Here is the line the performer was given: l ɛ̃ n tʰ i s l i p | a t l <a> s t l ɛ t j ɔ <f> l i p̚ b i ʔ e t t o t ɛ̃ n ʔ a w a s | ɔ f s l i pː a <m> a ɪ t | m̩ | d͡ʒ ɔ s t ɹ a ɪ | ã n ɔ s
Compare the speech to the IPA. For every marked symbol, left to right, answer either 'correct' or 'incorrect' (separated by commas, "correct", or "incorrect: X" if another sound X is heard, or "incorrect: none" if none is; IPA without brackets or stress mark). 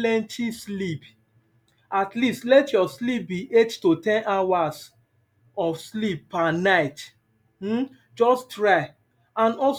incorrect: i, incorrect: s, incorrect: n